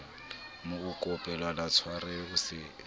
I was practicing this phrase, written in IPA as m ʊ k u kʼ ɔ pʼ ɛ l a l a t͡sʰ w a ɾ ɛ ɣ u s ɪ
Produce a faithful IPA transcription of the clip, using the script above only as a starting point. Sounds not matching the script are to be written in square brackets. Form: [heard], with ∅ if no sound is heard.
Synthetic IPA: m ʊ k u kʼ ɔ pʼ ɛ l a l a t͡sʰ w a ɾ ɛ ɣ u s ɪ